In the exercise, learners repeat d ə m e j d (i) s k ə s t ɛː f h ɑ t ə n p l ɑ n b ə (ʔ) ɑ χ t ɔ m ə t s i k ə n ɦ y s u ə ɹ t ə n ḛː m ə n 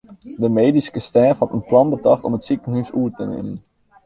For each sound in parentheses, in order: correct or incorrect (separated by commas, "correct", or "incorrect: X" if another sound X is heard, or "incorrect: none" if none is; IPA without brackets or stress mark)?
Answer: correct, incorrect: t